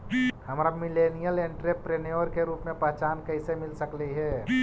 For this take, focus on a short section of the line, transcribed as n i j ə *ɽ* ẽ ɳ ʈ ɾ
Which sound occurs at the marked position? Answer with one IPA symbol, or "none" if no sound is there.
l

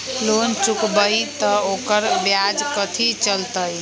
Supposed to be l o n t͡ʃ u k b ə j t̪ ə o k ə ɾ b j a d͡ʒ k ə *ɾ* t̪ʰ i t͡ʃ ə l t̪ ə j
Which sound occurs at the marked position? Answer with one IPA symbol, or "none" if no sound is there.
none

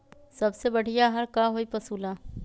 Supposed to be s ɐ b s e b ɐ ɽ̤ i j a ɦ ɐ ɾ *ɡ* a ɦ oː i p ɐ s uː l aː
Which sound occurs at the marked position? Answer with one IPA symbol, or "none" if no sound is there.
k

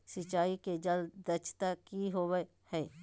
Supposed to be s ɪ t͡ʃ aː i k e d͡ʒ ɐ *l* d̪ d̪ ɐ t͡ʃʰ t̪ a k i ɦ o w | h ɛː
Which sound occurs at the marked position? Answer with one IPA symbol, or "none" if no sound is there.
l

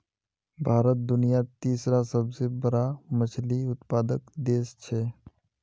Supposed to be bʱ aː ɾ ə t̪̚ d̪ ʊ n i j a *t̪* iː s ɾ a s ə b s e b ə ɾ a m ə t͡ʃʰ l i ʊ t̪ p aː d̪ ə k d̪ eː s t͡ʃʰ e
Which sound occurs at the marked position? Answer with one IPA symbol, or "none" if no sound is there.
t̪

